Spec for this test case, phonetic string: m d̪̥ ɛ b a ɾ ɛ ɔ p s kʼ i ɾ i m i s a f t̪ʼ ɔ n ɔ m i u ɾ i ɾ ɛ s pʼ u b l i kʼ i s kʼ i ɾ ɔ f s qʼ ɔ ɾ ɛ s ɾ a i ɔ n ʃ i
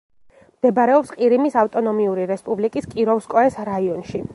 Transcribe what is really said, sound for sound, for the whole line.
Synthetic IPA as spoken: m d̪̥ ɛ b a ɾ ɛ ɔ p s qʼ i ɾ i m i s a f t̪ʼ ɔ n ɔ m i u ɾ i ɾ ɛ s pʼ u b l i kʼ i s kʼ i ɾ ɔ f s kʼ ɔ ɛ s ɾ a i ɔ n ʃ i

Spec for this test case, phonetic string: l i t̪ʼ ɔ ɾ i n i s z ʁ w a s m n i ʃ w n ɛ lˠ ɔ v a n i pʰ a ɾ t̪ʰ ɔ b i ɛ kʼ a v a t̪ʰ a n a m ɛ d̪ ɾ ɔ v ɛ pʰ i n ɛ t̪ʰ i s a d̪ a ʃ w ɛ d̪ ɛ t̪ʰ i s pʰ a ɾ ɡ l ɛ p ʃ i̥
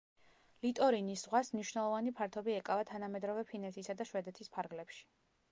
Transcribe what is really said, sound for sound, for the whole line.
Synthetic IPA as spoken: l i t̪ʼ ɔ ɾ i n i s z ʁ w a s m n i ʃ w n ɛ lˠ ɔ v a n i pʰ a ɾ t̪ʰ ɔ b i ɛ kʼ a v a t̪ʰ a n a m ɛ d̪ ɾ ɔ v ɛ pʰ i n ɛ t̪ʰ i s a d̪ a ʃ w ɛ d̪ ɛ t̪ʰ i s pʰ a ɾ ɡ l ɛ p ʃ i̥

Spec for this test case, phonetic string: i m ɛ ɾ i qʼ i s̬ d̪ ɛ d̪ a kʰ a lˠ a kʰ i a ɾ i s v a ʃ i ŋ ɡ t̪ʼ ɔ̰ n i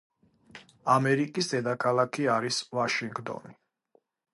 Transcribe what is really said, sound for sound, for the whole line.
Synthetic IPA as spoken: a m ɛ ɾ i kʼ i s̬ d̪ ɛ d̪ a kʰ a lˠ a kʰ i a ɾ i s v a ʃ i ŋ ɡ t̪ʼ ɔ̰ n i

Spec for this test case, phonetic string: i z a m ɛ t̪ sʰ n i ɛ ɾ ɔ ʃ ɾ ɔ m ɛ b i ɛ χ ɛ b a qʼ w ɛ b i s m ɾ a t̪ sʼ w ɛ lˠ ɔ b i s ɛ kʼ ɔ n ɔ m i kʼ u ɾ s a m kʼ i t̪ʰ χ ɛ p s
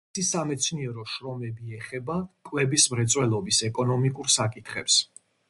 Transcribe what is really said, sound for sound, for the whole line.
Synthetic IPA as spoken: i s a m ɛ t̪ sʰ n i ɛ ɾ ɔ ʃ ɾ ɔ m ɛ b i ɛ χ ɛ b a kʼ w ɛ b i s m ɾ ɛ t̪ sʼ w ɛ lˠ ɔ b i s ɛ kʼ ɔ n ɔ m i kʼ u ɾ s a kʼ i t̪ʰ χ ɛ p s

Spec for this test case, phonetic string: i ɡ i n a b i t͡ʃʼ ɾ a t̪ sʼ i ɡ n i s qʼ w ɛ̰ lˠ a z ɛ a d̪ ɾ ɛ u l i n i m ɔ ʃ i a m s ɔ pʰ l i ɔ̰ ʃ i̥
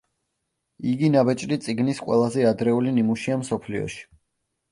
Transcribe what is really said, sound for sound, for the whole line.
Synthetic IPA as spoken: i ɡ i n a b ɛ t͡ʃʼ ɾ i t̪ sʼ i ɡ n i s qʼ w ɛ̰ lˠ a z ɛ a d̪ ɾ ɛ u l i n i m u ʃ i a m s ɔ pʰ l i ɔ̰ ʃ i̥

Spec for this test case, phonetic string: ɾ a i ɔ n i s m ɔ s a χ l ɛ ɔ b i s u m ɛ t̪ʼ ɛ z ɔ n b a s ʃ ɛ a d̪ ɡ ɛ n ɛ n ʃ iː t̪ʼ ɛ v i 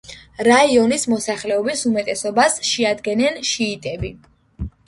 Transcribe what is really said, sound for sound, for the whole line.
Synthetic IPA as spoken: ɾ a i ɔ n i s m ɔ s a χ l ɛ ɔ b i s u m ɛ t̪ʼ ɛ s ɔ b a s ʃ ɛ a d̪ ɡ ɛ n ɛ n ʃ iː t̪ʼ ɛ b i

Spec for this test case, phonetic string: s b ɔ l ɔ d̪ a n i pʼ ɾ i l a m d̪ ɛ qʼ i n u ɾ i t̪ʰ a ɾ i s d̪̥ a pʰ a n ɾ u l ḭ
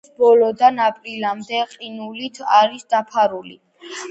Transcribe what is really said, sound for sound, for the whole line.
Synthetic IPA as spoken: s b ɔ l ɔ d̪ a n a pʼ ɾ i l a m d̪ ɛ qʼ i n u l i t̪ʰ a ɾ i s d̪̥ a pʰ a ɾ u l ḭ

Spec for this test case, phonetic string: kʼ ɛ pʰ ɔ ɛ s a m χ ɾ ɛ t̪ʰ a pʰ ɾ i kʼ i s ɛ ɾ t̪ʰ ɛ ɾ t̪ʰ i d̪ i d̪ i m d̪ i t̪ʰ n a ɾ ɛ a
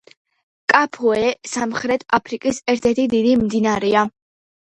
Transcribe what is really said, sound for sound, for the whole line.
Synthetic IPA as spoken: kʼ a pʰ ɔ ɛ s a m χ ɾ ɛ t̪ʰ a pʰ ɾ i kʼ i s ɛ ɾ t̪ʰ ɛ ɾ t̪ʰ i d̪ i d̪ i m d̪ i n a ɾ ɛ a

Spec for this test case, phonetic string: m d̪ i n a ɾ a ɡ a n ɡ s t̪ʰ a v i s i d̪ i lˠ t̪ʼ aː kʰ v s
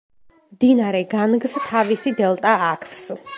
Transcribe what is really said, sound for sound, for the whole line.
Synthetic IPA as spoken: m d̪ i n a ɾ ɛ ɡ a n ɡ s t̪ʰ a v i s i d̪ ɛ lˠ t̪ʼ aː kʰ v s

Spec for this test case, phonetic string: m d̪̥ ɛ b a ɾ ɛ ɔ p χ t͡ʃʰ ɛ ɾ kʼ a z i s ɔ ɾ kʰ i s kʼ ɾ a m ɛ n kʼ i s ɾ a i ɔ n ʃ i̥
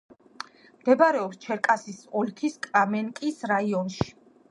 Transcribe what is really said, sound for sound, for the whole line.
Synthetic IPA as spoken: m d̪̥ ɛ b a ɾ ɛ ɔ p s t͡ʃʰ ɛ ɾ kʼ a s i s ɔ l kʰ i s kʼ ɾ a m ɛ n kʼ i s ɾ a i ɔ n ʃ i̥

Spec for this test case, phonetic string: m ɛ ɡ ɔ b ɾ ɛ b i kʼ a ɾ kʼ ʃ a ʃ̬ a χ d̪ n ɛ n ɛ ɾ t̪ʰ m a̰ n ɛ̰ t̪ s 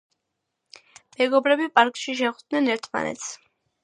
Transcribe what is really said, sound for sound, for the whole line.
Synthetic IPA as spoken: m ɛ ɡ ɔ b ɾ ɛ b i pʼ a ɾ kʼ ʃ i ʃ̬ ɛ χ d̪ n ɛ n ɛ ɾ t̪ʰ m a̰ n ɛ̰ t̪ s

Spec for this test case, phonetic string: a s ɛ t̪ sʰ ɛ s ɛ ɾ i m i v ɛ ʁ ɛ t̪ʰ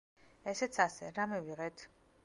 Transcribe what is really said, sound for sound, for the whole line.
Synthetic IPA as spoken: ɛ s ɛ t̪ sʰ a s ɛ ɾ a m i v i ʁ ɛ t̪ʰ

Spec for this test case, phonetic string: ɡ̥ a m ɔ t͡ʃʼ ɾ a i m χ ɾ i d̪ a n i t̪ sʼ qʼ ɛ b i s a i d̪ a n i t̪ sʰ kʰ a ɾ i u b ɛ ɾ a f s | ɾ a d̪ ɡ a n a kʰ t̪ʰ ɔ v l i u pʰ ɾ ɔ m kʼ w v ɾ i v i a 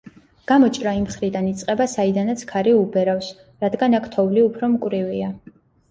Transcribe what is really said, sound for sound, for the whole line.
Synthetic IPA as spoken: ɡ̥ a m ɔ t͡ʃʼ ɾ a i m χ ɾ i d̪ a n i t̪ sʼ qʼ ɛ b a s a i d̪ a n a t̪ sʰ kʰ a ɾ i u b ɛ ɾ a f s | ɾ a d̪ ɡ a n a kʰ t̪ʰ ɔ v l i u pʰ ɾ ɔ m kʼ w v ɾ i v i a

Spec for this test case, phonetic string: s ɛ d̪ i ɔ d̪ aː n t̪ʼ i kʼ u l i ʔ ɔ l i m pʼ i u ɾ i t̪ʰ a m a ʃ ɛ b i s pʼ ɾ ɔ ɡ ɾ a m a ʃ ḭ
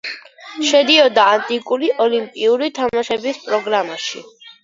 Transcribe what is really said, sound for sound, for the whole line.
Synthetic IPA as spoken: ʃ ɛ d̪ i ɔ d̪ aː n t̪ʼ i kʼ u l i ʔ ɔ l i m pʼ i u ɾ i t̪ʰ a m a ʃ ɛ b i s pʼ ɾ ɔ ɡ ɾ a m a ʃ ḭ

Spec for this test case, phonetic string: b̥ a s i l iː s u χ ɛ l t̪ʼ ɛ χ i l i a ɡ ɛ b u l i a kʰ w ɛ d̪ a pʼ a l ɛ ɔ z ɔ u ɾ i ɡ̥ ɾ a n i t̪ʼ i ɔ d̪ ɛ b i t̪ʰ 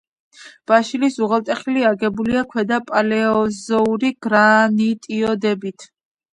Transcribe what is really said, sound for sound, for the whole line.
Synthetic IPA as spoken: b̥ a ʃ i l i s u ʁ ɛ l t̪ʼ ɛ χ i l i a ɡ ɛ b u l i a kʰ w ɛ d̪ a pʼ a l ɛ ɔ z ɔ u ɾ i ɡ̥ ɾ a n i t̪ʼ i ɔ d̪ ɛ b i t̪ʰ

